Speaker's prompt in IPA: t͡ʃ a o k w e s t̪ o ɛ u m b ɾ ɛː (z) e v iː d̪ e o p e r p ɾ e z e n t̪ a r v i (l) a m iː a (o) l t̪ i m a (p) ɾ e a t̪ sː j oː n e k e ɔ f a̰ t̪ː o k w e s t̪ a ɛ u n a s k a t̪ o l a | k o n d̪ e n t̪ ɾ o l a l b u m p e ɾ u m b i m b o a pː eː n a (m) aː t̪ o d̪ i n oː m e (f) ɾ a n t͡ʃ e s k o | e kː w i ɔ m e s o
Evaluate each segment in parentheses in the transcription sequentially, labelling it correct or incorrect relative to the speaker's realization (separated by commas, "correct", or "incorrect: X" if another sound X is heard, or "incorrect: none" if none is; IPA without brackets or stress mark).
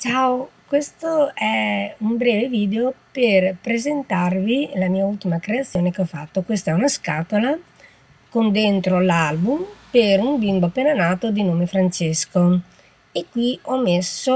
incorrect: v, correct, incorrect: u, incorrect: k, incorrect: n, correct